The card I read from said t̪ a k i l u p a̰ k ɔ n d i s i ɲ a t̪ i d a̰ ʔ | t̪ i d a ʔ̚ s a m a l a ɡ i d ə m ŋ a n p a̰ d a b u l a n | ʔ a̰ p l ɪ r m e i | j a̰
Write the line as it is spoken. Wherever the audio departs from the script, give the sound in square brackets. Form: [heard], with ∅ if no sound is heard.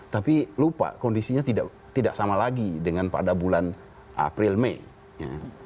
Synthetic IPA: t̪ a [p] i l u p a̰ k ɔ n d i s i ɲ a t̪ i d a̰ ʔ | t̪ i d a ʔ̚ s a m a l a ɡ i d ə [∅] ŋ a n p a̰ d a b u l a n | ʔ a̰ p [ɾ] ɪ [l] m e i | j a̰